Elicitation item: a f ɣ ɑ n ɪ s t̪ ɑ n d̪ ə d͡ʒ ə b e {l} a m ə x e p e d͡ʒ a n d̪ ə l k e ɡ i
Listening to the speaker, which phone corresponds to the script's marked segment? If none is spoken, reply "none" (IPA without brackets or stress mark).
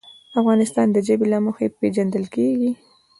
l